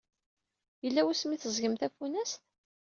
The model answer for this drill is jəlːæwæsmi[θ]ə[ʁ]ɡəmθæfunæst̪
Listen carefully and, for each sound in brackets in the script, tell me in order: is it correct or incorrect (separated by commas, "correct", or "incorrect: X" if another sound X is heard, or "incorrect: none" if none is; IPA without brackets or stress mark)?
correct, incorrect: z